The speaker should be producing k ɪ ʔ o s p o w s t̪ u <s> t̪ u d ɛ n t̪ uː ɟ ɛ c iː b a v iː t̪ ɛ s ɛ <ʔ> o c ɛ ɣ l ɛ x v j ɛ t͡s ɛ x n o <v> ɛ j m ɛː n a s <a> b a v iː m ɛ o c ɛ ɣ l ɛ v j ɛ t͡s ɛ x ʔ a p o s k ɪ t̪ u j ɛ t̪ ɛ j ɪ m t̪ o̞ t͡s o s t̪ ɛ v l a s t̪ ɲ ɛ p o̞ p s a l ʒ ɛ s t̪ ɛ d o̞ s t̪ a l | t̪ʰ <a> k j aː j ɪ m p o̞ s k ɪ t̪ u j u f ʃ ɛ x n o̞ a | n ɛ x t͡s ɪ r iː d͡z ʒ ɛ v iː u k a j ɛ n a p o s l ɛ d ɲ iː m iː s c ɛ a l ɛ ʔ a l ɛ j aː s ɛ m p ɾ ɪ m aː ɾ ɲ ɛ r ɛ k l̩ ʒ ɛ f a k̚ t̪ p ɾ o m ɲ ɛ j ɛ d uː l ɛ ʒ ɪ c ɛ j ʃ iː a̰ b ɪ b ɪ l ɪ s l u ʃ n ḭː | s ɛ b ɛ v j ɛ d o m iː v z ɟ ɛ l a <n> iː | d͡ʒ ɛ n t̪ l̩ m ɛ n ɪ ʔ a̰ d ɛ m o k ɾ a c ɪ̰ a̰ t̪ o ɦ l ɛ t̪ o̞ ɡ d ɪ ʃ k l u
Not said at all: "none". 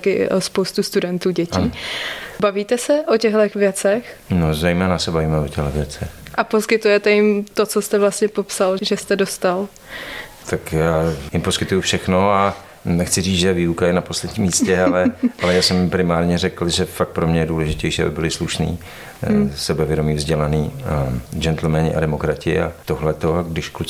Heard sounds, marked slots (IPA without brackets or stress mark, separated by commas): s, ʔ, z, ɛ, a, n